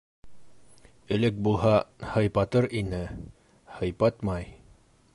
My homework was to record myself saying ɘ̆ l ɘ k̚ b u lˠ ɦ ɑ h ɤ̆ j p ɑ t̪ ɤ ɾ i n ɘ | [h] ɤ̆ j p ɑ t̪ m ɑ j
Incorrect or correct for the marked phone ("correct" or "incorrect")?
correct